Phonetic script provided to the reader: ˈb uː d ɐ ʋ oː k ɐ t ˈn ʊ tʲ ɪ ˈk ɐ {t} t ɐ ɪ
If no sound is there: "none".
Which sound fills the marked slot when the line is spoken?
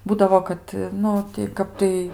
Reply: p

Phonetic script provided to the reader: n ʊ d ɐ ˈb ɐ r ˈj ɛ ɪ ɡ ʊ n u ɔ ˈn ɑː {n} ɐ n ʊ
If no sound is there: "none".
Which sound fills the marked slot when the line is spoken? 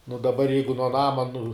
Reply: m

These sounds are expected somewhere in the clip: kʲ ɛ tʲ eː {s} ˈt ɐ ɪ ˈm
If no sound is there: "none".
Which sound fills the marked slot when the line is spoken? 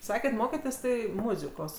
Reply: s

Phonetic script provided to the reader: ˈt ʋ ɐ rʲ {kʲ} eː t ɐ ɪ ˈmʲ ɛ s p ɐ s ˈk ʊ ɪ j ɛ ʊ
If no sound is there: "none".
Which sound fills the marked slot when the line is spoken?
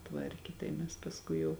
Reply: kʲ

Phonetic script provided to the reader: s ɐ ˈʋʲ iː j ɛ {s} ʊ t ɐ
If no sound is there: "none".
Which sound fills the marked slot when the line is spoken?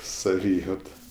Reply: none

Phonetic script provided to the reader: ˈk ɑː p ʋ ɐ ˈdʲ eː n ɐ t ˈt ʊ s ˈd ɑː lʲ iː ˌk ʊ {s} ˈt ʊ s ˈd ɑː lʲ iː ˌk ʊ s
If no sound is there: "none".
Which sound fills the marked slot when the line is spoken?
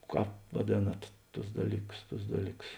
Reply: s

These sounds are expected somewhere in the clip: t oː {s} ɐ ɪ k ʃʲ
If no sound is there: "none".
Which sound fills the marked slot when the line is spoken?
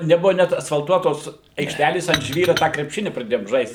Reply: s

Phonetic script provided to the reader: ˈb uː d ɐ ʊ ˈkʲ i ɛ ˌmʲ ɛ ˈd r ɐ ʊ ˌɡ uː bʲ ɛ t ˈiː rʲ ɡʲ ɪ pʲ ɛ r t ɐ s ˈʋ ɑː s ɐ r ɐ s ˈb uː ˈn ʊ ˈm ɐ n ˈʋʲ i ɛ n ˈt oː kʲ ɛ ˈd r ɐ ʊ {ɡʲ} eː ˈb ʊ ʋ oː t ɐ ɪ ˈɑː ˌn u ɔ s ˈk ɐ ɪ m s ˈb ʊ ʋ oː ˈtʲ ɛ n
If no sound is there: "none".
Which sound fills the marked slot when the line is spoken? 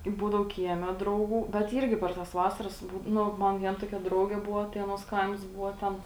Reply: ɡʲ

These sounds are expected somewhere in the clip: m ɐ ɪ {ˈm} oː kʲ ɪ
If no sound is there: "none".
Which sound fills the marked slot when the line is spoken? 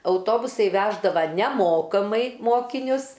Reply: m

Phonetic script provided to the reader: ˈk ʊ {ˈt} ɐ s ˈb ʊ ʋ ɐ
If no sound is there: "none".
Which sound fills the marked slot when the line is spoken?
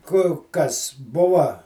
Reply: k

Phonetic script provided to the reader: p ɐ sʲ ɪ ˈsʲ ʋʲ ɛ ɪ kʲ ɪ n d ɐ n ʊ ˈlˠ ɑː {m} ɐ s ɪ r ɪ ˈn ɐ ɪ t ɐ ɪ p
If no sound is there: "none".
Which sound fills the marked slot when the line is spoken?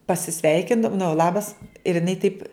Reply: b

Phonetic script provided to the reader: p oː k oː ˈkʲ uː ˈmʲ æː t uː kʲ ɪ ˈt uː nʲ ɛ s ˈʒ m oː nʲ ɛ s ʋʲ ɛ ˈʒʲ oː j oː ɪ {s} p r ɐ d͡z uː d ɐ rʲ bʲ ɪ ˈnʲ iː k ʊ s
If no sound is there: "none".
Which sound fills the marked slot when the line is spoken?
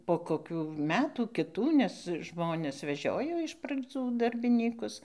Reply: ʃ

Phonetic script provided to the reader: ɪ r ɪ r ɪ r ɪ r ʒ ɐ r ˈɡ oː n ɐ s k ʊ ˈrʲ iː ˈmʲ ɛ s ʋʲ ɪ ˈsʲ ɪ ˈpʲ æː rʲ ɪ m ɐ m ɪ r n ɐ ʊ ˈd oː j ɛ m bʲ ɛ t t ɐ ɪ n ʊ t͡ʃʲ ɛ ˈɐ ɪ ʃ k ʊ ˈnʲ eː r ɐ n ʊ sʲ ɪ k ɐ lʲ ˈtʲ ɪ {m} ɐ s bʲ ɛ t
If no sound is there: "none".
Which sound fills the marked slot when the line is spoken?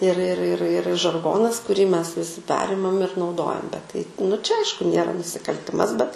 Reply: m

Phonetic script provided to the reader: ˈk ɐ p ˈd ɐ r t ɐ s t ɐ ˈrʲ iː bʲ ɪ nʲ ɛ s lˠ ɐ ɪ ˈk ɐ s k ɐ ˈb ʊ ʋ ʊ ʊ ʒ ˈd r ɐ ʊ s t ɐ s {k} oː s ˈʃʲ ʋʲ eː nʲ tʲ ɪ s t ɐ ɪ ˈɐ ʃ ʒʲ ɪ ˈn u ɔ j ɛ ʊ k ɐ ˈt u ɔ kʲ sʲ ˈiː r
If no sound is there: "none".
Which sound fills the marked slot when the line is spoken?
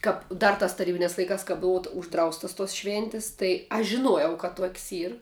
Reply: t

